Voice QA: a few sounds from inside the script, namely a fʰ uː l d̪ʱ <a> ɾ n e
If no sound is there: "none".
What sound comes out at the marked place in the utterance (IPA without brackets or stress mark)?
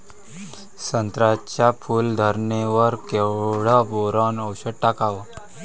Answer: ə